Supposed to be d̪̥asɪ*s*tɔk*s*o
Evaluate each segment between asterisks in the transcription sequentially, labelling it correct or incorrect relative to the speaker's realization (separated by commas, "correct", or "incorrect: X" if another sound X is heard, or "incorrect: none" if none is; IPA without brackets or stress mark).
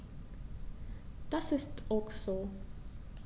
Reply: correct, correct